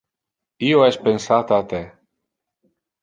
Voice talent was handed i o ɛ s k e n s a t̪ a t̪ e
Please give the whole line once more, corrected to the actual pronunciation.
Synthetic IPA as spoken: i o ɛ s p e n s a t̪ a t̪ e